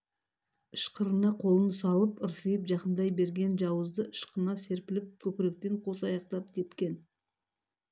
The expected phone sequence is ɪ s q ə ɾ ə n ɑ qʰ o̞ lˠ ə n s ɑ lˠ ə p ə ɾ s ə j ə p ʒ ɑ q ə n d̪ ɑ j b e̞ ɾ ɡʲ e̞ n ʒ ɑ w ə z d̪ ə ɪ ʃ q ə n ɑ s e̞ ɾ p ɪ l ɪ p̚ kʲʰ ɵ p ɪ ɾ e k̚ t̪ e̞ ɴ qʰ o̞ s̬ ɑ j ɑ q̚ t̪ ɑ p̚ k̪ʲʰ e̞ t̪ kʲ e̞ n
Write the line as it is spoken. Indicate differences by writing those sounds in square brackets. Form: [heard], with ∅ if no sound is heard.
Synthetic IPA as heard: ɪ [ʃ] q ə ɾ ə n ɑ qʰ o̞ lˠ ə n s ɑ lˠ ə p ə ɾ s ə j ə p ʒ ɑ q ə n d̪ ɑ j b e̞ ɾ ɡʲ e̞ n ʒ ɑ w ə z d̪ ə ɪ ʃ q ə n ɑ s e̞ ɾ p ɪ l ɪ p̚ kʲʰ ɵ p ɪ ɾ e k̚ t̪ e̞ ɴ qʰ o̞ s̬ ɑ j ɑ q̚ t̪ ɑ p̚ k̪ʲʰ e̞ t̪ kʲ e̞ n